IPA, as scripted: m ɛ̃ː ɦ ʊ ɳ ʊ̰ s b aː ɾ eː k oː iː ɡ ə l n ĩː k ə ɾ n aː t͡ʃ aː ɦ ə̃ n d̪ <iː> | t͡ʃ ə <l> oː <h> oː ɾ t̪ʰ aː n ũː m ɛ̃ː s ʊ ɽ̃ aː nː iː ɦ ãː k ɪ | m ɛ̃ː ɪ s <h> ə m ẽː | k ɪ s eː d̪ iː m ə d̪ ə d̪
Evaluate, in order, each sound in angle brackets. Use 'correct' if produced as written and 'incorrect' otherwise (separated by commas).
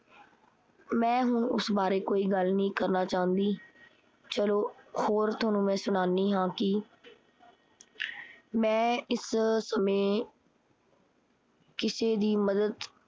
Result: correct, correct, correct, incorrect